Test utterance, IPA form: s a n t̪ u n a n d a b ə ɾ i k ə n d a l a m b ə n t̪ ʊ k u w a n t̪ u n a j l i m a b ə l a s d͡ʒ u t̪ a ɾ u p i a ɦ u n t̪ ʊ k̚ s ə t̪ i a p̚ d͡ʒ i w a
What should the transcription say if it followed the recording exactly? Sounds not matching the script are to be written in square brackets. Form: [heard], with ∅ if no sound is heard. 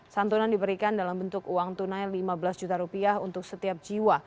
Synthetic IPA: s a n t̪ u n a n d [i] b ə ɾ i k [a] n d a l a m b ə n t̪ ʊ k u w a [ŋ] t̪ u n a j l i m a b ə l a s d͡ʒ u t̪ a ɾ u p i a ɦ u n t̪ ʊ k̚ s ə t̪ i a p̚ d͡ʒ i w a